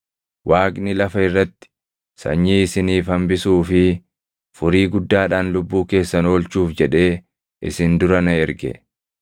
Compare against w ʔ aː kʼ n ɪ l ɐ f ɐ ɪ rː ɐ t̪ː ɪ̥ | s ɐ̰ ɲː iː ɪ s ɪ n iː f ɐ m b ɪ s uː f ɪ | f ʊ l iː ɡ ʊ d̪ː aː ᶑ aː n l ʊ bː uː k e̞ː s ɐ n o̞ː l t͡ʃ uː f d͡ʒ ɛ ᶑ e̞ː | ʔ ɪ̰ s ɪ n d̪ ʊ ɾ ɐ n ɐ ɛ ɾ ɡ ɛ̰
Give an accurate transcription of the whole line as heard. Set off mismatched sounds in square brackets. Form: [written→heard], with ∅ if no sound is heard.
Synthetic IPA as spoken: w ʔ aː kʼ n ɪ l ɐ f ɐ ɪ rː ɐ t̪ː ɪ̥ | s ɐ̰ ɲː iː ɪ s ɪ n iː f ɐ m b ɪ s uː f ɪ | f ʊ [l→ɾ] iː ɡ ʊ d̪ː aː ᶑ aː n l ʊ bː uː k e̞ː [s→sː] ɐ n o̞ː l t͡ʃ uː f d͡ʒ ɛ ᶑ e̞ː | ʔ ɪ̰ s ɪ n d̪ ʊ ɾ ɐ n ɐ ɛ ɾ ɡ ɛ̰

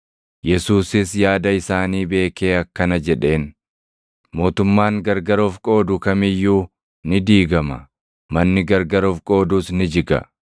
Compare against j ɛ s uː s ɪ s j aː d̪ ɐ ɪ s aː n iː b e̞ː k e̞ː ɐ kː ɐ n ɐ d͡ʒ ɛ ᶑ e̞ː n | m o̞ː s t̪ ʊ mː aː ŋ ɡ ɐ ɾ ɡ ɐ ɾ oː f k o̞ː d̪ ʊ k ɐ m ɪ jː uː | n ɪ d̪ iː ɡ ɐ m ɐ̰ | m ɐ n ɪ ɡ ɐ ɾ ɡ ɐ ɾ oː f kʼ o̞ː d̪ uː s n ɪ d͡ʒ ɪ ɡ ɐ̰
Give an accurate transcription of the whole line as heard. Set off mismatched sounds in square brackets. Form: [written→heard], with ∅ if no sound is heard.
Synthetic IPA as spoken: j ɛ s uː s ɪ s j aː d̪ ɐ ɪ s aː n iː b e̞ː k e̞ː ɐ kː ɐ n ɐ d͡ʒ ɛ ᶑ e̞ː n | m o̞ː [s→∅] t̪ ʊ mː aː ŋ ɡ ɐ ɾ ɡ ɐ ɾ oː f [k→kʼ] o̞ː d̪ ʊ k ɐ m ɪ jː uː | n ɪ d̪ iː ɡ ɐ m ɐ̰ | m ɐ [n→nː] ɪ ɡ ɐ ɾ ɡ ɐ ɾ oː f kʼ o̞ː d̪ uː s n ɪ d͡ʒ ɪ ɡ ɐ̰

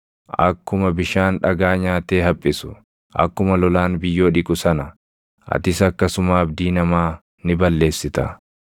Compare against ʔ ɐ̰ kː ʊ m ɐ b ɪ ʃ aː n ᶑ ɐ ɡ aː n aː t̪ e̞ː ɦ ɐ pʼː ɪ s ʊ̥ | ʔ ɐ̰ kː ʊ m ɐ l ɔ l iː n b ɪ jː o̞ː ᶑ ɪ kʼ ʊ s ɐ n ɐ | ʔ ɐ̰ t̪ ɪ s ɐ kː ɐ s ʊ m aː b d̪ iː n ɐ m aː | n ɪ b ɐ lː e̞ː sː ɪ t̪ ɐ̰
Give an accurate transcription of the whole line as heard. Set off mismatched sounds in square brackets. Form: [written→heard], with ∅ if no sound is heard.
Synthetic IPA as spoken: ʔ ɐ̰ kː ʊ m ɐ b ɪ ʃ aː n ᶑ ɐ ɡ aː [n→ɲ] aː t̪ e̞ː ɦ ɐ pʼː ɪ s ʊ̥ | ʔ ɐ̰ kː ʊ m ɐ l ɔ l [iː→aː] n b ɪ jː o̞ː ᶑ ɪ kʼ ʊ s ɐ n ɐ | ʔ ɐ̰ t̪ ɪ s ɐ kː ɐ s ʊ m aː b d̪ iː n ɐ m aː | n ɪ b ɐ lː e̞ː sː ɪ t̪ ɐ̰

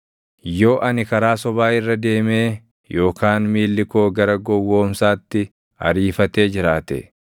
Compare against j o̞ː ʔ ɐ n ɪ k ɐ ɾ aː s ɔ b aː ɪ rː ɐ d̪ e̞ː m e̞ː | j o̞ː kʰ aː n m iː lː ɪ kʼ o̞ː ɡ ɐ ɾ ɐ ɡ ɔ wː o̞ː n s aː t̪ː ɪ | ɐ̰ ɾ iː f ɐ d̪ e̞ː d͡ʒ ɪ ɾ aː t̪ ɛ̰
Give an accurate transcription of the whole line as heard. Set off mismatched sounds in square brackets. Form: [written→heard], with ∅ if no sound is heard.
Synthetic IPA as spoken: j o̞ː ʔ ɐ n ɪ k ɐ ɾ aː s ɔ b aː ɪ rː ɐ d̪ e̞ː m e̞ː | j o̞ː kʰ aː n m iː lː ɪ [kʼ→k] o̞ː ɡ ɐ ɾ ɐ ɡ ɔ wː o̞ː [n→m] s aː t̪ː ɪ | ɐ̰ ɾ iː f ɐ [d̪→t̪] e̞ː d͡ʒ ɪ ɾ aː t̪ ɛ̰

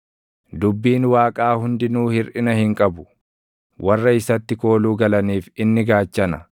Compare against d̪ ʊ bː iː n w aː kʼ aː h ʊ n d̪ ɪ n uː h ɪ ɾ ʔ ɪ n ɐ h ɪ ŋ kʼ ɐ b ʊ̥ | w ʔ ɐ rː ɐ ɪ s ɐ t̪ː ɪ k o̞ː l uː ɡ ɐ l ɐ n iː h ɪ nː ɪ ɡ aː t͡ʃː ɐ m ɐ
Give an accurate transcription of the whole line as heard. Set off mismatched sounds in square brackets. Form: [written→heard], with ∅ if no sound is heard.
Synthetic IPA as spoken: d̪ ʊ bː iː n w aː kʼ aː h ʊ n d̪ ɪ n uː h ɪ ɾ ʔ ɪ n ɐ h ɪ ŋ kʼ ɐ b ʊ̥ | w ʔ ɐ rː ɐ ɪ s ɐ t̪ː ɪ k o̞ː l uː ɡ ɐ l ɐ n iː [h→f] ɪ nː ɪ ɡ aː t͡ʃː ɐ [m→n] ɐ

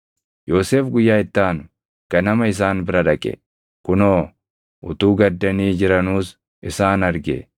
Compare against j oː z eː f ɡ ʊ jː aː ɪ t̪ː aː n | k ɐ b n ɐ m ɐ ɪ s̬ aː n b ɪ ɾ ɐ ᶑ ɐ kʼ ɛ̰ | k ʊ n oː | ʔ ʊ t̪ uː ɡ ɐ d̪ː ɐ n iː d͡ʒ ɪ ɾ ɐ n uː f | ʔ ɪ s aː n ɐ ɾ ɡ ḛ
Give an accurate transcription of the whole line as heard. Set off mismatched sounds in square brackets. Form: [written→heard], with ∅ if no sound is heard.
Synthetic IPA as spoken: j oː [z→s] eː f ɡ ʊ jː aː ɪ t̪ː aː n | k ɐ [b→∅] n ɐ m ɐ ɪ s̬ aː n b ɪ ɾ ɐ ᶑ ɐ kʼ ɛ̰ | k ʊ n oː | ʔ ʊ t̪ uː ɡ ɐ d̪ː ɐ n iː d͡ʒ ɪ ɾ ɐ n uː [f→s] | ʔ ɪ s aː n ɐ ɾ ɡ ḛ

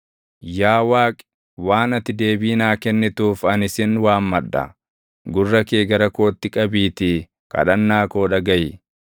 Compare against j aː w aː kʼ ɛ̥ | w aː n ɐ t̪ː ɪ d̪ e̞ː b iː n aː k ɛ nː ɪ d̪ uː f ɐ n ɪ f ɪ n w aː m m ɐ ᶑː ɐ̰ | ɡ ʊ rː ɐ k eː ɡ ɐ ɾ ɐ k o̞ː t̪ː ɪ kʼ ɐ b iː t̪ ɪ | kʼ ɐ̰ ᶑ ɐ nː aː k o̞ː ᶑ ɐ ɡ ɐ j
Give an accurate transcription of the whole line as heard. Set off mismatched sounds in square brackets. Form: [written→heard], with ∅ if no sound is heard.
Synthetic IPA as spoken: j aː w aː kʼ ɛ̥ | w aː n ɐ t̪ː ɪ d̪ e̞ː b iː n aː k ɛ nː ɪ [d̪→t̪] uː f ɐ n ɪ [f→s] ɪ n w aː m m ɐ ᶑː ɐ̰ | ɡ ʊ rː ɐ k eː ɡ ɐ ɾ ɐ k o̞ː t̪ː ɪ kʼ ɐ b iː t̪ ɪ | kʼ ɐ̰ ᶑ ɐ nː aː k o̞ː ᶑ ɐ ɡ ɐ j

